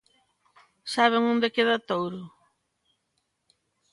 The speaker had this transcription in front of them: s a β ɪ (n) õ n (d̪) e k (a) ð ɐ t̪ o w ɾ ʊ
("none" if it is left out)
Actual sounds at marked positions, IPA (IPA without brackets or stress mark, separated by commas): ŋ, d̪, e